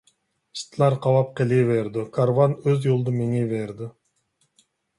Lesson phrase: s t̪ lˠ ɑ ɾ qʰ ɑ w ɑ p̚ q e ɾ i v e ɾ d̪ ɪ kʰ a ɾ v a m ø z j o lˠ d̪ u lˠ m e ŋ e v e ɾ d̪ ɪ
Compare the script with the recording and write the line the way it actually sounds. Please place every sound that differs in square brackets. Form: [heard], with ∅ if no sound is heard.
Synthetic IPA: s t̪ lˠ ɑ ɾ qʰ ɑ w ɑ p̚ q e [l] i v e ɾ d̪ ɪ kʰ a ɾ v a [n] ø z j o lˠ d̪ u [∅] m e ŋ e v e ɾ d̪ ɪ